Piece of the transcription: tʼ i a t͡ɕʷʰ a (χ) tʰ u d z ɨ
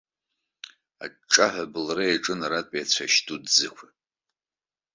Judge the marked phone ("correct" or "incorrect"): incorrect